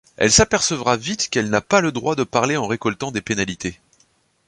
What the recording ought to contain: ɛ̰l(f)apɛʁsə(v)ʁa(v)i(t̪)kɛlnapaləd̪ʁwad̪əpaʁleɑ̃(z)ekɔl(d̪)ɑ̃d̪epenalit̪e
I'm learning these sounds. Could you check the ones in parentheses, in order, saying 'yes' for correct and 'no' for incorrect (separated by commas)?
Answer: no, yes, yes, yes, no, no